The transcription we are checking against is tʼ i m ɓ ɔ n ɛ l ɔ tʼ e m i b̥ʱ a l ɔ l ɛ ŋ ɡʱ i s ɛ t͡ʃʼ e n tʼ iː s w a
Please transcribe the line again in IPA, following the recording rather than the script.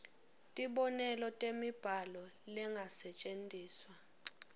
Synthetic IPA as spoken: tʼ i ɓ ɔ n ɛ l ɔ tʼ e m i b̥ʱ a l ɔ l ɛ ŋ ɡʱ a s ɛ t͡ʃʼ e n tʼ iː s w a